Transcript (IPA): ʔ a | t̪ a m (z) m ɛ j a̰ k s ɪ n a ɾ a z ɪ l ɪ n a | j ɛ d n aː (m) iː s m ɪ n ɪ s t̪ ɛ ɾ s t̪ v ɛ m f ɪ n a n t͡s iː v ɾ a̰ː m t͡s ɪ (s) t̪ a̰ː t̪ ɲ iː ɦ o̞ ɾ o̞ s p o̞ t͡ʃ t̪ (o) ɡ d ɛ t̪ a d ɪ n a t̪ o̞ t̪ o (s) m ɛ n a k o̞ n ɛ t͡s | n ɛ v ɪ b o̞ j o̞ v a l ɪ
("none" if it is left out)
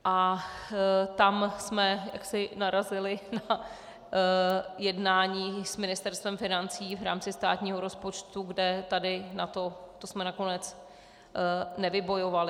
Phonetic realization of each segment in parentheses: s, ɲ, s, u, s

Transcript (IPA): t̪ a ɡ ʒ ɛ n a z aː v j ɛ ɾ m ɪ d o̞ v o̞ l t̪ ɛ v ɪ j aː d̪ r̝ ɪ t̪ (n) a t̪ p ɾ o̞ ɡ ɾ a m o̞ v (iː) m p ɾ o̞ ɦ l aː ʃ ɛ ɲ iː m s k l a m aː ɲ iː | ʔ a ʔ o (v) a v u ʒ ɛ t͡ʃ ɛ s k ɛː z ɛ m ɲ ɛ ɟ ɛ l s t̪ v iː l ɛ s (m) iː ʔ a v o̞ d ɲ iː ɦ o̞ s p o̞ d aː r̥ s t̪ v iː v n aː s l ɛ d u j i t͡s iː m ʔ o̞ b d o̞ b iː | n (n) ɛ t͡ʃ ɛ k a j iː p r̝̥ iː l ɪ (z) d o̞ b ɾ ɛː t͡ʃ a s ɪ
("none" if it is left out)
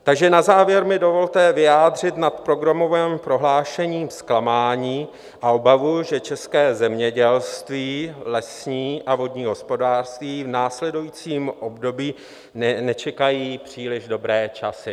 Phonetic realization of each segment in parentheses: n, ɛː, b, ɲ, n, ʒ

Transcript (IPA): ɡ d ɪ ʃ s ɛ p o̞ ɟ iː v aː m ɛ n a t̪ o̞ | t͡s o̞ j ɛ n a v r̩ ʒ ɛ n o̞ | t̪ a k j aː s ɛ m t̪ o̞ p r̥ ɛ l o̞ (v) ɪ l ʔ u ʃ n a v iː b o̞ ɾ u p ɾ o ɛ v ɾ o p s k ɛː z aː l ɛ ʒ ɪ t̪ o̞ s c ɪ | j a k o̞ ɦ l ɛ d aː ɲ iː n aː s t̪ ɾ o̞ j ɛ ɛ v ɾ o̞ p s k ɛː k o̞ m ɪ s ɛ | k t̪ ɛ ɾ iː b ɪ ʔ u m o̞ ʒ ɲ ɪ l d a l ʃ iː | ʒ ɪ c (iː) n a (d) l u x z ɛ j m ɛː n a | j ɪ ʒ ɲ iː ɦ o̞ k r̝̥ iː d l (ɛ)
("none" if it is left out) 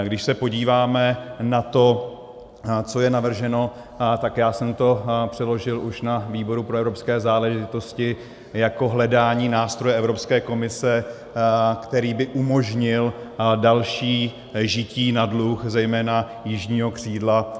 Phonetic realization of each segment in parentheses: ʒ, iː, d, a

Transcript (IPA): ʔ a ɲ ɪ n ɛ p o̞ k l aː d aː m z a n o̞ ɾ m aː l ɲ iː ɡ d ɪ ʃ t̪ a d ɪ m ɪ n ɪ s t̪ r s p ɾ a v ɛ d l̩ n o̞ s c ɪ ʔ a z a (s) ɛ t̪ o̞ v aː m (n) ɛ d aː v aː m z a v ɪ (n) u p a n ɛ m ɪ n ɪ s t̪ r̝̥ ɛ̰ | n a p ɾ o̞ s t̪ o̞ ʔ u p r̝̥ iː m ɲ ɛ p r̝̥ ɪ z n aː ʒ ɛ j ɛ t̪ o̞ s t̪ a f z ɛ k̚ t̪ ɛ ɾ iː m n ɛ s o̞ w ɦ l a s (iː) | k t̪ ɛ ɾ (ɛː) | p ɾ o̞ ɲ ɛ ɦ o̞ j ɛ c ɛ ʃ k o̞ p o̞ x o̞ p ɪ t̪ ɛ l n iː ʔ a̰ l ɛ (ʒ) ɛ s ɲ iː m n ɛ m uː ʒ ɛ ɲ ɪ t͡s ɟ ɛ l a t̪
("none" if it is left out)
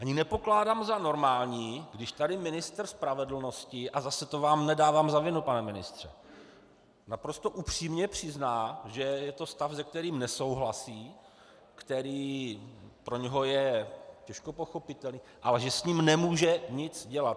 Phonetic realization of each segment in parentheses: s, n, n, iː, iː, ʒ

